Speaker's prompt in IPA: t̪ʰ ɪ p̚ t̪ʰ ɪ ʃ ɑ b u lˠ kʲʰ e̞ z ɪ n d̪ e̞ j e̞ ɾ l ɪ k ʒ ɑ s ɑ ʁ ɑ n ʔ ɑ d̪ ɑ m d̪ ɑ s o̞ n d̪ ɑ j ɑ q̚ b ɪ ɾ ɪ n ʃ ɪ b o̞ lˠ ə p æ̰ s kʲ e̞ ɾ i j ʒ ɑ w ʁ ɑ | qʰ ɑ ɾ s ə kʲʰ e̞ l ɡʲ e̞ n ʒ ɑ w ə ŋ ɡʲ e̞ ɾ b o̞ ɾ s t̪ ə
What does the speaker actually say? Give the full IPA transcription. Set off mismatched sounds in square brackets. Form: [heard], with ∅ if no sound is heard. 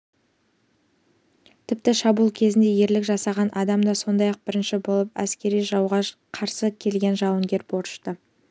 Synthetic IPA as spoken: t̪ʰ ɪ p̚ [t̪] ɪ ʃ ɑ b u lˠ kʲʰ e̞ z ɪ n d̪ e̞ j e̞ ɾ l ɪ k ʒ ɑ s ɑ ʁ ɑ n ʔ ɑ d̪ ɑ m d̪ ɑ s o̞ n d̪ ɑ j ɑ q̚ b ɪ ɾ ɪ n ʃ ɪ b o̞ lˠ ə p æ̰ s kʲ e̞ ɾ i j ʒ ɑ w ʁ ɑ | qʰ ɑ ɾ s ə kʲʰ e̞ l ɡʲ e̞ n ʒ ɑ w ə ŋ ɡʲ e̞ ɾ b o̞ ɾ [ʃ] t̪ ə

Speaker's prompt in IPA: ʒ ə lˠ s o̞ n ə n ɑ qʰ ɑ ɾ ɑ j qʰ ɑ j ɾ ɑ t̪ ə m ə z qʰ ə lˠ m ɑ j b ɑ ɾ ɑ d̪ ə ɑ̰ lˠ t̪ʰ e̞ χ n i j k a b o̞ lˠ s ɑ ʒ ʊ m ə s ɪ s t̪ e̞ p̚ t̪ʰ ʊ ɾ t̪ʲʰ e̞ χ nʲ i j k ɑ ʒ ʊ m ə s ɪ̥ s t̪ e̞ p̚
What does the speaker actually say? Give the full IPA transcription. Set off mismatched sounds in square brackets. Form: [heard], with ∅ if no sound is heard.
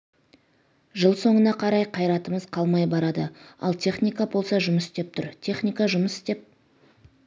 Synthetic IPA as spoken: ʒ ə lˠ s o̞ [ɴ] ə n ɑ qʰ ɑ ɾ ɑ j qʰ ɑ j ɾ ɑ t̪ ə m ə z qʰ [ɑ] lˠ m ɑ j b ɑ ɾ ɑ d̪ ə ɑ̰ lˠ t̪ʰ e̞ χ n i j k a b o̞ lˠ s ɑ ʒ ʊ m ə s ɪ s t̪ e̞ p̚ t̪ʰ ʊ ɾ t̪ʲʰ e̞ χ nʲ i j k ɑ ʒ ʊ m ə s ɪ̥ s t̪ e̞ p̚

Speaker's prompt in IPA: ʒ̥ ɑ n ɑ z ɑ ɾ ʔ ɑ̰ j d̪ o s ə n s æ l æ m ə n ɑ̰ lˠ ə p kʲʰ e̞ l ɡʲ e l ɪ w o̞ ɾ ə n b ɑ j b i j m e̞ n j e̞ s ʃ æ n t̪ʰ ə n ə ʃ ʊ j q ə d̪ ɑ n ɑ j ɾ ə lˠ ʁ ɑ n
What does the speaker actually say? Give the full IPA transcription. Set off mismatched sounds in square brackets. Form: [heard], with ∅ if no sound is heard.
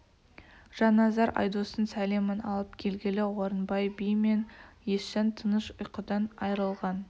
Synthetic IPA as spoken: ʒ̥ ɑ n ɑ z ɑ ɾ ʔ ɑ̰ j d̪ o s ə n s æ l [e] m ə n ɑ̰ lˠ ə p kʲʰ e̞ l ɡʲ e l ɪ w o̞ ɾ ə n b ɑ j b i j m e̞ n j e̞ s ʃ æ n t̪ʰ ə n ə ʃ ʊ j q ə d̪ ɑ n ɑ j ɾ ə lˠ ʁ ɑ n

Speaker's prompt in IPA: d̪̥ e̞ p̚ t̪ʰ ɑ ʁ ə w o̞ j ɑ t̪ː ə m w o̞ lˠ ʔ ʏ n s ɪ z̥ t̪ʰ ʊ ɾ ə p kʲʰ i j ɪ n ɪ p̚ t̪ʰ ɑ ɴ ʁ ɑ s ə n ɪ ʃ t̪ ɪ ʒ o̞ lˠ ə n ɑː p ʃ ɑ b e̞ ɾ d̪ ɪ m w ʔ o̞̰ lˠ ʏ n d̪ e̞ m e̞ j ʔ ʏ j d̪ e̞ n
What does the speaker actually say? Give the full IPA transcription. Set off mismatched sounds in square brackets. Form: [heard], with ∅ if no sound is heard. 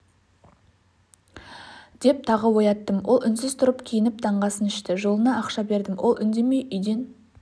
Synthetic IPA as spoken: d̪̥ e̞ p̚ t̪ʰ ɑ ʁ ə w o̞ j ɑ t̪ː ə m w o̞ lˠ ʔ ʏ n s ɪ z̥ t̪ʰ ʊ ɾ ə p kʲʰ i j ɪ n ɪ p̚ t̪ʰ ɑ ɴ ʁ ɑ s ə n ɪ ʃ t̪ ɪ ʒ o̞ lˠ ə n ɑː [q] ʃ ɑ b e̞ ɾ d̪ ɪ m w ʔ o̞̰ lˠ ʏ n d̪ e̞ m e̞ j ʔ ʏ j d̪ e̞ n

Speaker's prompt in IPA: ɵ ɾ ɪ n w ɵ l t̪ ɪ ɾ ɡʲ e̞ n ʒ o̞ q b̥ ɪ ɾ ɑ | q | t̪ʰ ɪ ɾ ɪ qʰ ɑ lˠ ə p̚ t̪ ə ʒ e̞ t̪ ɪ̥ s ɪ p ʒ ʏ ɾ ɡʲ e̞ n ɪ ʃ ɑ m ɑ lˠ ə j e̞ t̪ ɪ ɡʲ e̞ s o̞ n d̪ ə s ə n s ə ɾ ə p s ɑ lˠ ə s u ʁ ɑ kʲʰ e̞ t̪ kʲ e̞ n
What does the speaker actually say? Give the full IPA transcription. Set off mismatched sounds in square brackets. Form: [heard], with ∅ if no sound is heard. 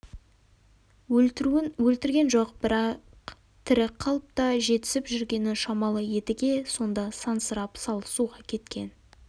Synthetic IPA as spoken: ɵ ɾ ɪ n w ɵ l t̪ ɪ ɾ ɡʲ e̞ n ʒ o̞ q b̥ ɪ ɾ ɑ | q | t̪ʰ ɪ ɾ ɪ qʰ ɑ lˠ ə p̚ t̪ [ɑ] ʒ e̞ t̪ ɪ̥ s ɪ p ʒ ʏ ɾ ɡʲ e̞ n ɪ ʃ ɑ m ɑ lˠ ə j e̞ t̪ ɪ ɡʲ e̞ s o̞ n d̪ [ɑ] s [ɑ] n s ə ɾ [ɑ] p s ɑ lˠ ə s u ʁ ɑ kʲʰ e̞ t̪ kʲ e̞ n

